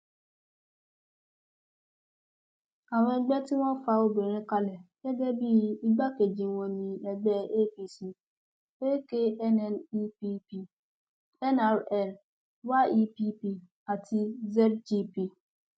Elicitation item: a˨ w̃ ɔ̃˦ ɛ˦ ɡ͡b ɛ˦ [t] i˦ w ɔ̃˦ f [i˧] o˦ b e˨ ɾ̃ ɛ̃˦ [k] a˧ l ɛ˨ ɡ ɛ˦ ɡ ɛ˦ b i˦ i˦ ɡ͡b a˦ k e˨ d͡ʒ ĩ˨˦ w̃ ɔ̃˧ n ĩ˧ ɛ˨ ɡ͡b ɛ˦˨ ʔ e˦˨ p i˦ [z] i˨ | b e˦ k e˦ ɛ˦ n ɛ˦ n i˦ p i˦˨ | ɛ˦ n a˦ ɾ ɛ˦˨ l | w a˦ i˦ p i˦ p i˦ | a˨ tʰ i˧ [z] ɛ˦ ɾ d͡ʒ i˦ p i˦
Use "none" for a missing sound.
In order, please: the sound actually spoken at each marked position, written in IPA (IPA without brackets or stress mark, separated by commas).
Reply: t, a˧, k, s, z